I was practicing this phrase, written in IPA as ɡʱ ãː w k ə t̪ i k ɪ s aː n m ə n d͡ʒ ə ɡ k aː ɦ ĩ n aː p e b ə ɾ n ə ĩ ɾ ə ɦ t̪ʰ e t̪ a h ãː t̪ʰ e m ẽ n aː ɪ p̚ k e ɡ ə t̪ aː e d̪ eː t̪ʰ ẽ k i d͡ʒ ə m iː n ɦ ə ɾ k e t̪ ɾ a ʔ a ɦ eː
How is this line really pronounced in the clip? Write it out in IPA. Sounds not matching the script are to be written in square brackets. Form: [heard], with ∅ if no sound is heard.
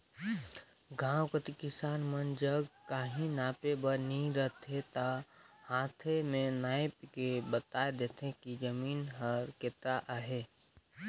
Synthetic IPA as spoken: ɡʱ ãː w k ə t̪ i k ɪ s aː n m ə n d͡ʒ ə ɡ k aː ɦ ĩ n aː p e b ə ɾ n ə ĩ ɾ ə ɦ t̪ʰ e t̪ a h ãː t̪ʰ e m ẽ n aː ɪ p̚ k e [b] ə t̪ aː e d̪ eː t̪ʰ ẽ k i d͡ʒ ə m iː n ɦ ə ɾ k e t̪ ɾ a ʔ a ɦ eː

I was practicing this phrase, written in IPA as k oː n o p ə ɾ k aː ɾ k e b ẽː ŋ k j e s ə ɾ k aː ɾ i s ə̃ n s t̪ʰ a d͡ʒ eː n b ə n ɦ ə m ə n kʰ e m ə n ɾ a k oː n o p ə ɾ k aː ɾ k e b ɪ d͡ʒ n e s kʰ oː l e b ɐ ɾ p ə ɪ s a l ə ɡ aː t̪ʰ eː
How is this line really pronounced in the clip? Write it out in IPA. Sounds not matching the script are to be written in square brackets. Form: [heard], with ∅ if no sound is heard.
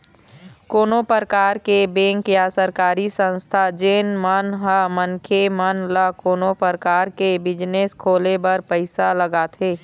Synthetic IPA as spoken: k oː n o p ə ɾ k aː ɾ k e b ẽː ŋ k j [a] s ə ɾ k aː ɾ i s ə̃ n s t̪ʰ a d͡ʒ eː n [m] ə n ɦ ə m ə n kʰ e m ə n [l] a k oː n o p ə ɾ k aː ɾ k e b ɪ d͡ʒ n e s kʰ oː l e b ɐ ɾ p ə ɪ s a l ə ɡ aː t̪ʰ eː

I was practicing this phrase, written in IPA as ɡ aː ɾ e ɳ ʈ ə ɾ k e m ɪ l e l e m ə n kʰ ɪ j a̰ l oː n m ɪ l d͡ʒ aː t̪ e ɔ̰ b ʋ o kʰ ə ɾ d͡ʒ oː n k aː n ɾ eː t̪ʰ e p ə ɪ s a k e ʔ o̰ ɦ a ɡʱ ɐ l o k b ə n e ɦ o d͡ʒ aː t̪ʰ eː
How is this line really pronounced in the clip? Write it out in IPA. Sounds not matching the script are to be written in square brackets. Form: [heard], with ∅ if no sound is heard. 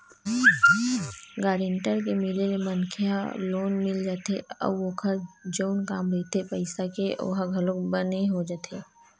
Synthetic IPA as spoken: ɡ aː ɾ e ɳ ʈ ə ɾ k e m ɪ l e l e m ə n kʰ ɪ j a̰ l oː n m ɪ l d͡ʒ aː t̪ e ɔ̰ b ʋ o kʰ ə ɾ d͡ʒ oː n k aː [m] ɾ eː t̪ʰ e p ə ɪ s a k e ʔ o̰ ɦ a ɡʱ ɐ l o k b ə n e ɦ o d͡ʒ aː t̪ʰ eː

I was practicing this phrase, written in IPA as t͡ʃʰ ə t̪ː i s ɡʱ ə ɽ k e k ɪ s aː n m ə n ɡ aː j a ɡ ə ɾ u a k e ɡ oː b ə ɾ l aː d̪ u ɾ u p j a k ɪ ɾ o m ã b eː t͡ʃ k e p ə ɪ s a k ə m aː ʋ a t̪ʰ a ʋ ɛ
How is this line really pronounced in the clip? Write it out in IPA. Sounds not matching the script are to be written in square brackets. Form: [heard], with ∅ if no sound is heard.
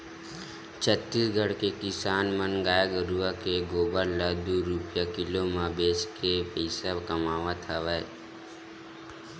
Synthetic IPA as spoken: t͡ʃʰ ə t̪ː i s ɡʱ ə ɽ k e k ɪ s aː n m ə n ɡ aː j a ɡ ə ɾ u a k e ɡ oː b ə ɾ l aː d̪ u ɾ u p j a k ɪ [l] o m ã b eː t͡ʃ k e p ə ɪ s a k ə m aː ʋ a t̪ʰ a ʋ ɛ

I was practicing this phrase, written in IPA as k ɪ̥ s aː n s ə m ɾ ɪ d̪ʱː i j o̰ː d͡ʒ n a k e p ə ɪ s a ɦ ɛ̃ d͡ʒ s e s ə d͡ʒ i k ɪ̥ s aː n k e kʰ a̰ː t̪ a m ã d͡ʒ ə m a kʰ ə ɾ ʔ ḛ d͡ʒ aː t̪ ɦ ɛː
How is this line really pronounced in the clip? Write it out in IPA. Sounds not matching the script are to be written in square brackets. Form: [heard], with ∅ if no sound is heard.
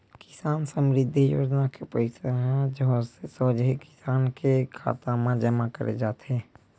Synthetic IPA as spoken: k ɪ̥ s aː n s ə m ɾ ɪ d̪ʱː i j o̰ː d͡ʒ n a k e p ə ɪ s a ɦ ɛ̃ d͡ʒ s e s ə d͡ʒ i k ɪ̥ s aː n k e kʰ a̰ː t̪ a m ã d͡ʒ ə m a [k] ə ɾ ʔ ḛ d͡ʒ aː t̪ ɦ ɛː

